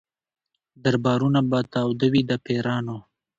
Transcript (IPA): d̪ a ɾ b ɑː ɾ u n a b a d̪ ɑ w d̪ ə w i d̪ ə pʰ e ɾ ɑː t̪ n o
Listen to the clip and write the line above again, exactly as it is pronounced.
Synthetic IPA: d̪ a ɾ b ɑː ɾ u n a b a t̪ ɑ w d̪ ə w i d̪ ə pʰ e ɾ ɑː n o